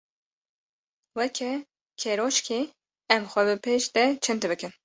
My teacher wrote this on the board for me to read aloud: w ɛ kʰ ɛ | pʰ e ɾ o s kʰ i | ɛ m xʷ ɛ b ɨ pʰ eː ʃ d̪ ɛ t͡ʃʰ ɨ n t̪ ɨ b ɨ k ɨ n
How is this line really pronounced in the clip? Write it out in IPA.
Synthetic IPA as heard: w ɛ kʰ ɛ | kʰ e ɾ o ʃ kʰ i | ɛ m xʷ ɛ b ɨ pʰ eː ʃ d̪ ɛ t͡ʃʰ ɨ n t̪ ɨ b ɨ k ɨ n